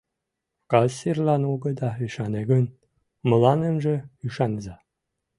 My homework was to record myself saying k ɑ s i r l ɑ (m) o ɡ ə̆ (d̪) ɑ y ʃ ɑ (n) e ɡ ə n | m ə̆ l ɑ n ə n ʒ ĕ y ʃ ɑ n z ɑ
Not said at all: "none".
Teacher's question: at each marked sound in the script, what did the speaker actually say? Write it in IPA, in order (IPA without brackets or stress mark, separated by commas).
n, d̪, n